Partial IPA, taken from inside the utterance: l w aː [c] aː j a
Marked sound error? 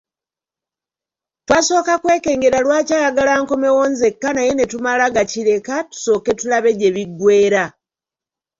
no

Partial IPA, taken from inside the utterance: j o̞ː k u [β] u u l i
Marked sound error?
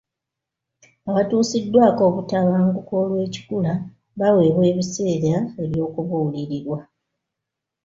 no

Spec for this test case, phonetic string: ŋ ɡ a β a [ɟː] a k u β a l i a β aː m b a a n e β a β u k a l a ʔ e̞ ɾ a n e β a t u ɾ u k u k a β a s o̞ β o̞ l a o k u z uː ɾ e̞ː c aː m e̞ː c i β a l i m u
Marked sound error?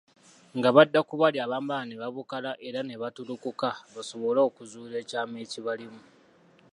yes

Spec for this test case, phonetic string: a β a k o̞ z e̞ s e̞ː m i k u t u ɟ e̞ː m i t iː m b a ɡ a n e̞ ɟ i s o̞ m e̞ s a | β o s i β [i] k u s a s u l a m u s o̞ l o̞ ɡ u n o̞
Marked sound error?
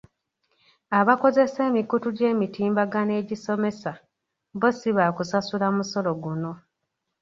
yes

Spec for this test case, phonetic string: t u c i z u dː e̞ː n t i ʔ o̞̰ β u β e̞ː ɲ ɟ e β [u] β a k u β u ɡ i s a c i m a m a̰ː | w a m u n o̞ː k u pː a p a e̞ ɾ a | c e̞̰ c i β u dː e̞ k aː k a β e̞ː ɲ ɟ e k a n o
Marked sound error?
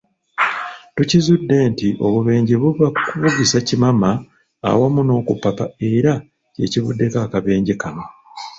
no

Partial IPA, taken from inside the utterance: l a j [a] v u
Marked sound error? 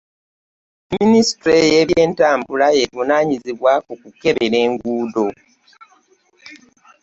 yes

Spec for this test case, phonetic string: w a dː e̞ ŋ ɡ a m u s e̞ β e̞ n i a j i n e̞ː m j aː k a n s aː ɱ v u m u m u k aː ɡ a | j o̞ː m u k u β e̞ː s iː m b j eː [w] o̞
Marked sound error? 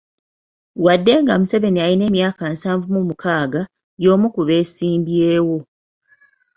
no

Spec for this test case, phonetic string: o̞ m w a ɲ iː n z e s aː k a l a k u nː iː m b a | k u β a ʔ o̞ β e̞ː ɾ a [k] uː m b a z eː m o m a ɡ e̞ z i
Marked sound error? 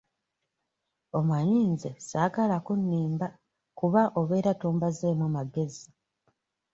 yes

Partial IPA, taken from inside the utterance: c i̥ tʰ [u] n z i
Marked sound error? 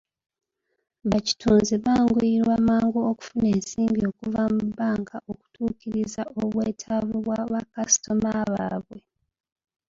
yes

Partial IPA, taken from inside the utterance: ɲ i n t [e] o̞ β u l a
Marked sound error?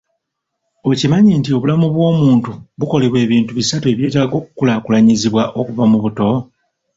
yes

